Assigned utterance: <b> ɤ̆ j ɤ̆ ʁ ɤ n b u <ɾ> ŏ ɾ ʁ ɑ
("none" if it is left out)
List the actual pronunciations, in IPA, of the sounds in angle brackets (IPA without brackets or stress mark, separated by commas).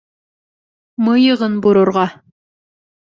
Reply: m, ɾ